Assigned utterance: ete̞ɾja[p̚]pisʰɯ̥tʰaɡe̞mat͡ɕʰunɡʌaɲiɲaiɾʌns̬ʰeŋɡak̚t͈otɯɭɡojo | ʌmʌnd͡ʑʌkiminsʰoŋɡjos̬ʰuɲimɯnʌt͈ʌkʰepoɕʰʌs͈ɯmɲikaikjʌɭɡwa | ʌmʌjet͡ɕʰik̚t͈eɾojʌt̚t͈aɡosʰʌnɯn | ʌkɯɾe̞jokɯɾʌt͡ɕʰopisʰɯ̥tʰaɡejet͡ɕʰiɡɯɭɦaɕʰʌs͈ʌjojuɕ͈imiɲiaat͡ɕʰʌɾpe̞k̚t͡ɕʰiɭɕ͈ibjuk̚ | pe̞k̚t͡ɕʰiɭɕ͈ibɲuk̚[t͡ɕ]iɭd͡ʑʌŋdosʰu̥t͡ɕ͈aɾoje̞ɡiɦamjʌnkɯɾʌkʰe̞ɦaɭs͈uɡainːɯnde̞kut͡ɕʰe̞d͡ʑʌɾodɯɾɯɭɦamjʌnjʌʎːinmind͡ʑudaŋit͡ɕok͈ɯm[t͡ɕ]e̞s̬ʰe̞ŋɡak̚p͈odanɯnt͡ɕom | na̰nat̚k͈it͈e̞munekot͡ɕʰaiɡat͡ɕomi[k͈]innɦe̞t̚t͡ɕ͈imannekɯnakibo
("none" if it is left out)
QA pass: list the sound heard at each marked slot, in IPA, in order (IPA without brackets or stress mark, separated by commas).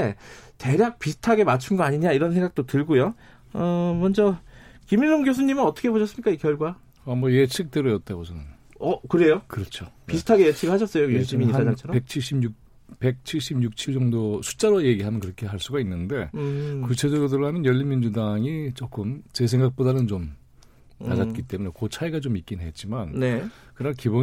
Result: k̚, t͡ɕʰ, t͡ɕ, k͈